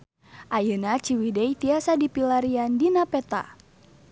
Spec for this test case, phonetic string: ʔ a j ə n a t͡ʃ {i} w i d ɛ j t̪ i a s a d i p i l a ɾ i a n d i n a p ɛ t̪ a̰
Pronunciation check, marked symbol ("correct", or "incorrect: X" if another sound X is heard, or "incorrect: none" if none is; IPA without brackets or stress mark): correct